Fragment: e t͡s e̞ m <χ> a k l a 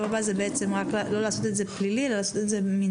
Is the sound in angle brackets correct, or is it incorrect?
incorrect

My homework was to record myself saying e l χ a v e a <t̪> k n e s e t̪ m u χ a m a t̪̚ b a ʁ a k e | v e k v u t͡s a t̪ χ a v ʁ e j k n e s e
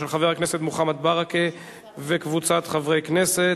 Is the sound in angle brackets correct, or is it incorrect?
incorrect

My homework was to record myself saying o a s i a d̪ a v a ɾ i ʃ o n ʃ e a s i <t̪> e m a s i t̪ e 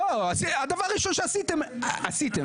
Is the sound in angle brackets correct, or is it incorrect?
correct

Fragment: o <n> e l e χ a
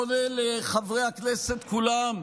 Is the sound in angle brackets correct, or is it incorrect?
correct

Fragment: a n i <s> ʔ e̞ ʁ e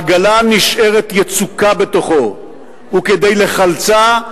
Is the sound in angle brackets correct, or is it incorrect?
incorrect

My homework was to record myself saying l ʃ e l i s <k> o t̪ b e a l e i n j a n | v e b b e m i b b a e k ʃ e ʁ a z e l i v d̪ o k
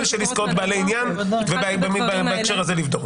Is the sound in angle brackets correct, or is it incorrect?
correct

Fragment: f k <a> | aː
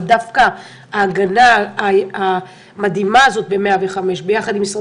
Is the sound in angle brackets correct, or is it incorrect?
correct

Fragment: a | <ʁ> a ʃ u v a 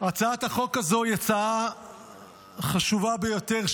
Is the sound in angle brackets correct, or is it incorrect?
incorrect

